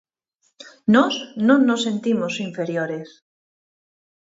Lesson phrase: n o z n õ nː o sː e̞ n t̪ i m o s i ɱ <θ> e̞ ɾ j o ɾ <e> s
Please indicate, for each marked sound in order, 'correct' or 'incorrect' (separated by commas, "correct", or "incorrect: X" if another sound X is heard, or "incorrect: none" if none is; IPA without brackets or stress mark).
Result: incorrect: f, correct